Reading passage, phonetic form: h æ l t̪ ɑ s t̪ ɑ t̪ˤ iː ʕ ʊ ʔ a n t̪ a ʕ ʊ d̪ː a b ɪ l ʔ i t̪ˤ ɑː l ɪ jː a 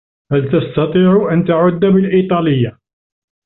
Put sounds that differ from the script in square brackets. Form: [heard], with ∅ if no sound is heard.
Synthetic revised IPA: h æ l t̪ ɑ s t̪ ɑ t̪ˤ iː ʕ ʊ ʔ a n t̪ a ʕ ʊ d̪ː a b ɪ l ʔ i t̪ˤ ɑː l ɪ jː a